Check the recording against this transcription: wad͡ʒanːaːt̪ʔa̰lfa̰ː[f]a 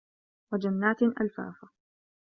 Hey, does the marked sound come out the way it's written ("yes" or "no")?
yes